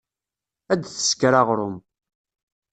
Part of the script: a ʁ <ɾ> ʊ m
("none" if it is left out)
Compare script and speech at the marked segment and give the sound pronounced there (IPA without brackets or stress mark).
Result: ɾ